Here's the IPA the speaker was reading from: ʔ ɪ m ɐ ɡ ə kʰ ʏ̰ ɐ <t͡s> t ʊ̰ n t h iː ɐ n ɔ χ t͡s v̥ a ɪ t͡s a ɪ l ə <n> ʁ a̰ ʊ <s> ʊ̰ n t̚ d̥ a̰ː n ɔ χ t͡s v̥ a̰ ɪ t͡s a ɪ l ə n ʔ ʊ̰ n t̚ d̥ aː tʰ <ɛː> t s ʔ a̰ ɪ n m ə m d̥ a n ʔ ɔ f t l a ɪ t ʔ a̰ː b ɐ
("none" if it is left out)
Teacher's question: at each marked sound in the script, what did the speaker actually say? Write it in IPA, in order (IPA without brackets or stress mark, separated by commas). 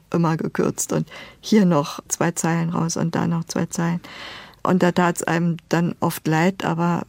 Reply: t͡s, n, s, aː